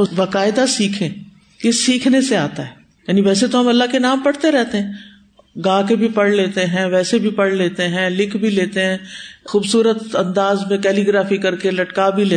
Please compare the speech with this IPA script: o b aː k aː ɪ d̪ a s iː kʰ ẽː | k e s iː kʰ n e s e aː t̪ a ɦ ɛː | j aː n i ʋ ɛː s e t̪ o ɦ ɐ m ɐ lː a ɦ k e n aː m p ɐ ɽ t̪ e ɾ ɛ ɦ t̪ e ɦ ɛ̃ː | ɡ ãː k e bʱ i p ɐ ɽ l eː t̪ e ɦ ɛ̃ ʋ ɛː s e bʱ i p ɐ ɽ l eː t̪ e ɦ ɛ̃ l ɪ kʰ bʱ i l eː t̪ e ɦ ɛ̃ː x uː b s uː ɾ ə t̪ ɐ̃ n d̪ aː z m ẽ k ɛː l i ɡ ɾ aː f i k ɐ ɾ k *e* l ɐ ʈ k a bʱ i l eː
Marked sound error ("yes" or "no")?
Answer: no